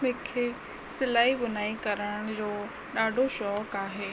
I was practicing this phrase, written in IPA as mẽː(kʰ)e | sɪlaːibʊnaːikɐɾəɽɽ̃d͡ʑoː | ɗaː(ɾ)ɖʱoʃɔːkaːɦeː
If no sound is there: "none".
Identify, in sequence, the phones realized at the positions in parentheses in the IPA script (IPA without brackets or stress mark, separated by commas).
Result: kʰ, none